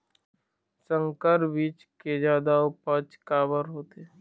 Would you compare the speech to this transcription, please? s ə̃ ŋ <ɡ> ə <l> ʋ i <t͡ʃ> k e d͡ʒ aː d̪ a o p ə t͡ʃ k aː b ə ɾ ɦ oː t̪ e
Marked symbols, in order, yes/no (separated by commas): no, no, yes